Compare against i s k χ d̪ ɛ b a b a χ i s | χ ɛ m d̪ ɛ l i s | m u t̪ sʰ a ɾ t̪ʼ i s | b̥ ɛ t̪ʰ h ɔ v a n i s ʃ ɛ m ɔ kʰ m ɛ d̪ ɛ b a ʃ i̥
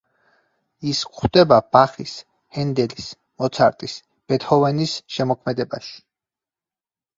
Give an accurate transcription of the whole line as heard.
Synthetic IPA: i s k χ d̪ ɛ b a b a χ i s | h ɛ n d̪ ɛ l i s | m ɔ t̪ sʰ a ɾ t̪ʼ i s | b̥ ɛ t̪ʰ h ɔ v ɛ n i s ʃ ɛ m ɔ kʰ m ɛ d̪ ɛ b a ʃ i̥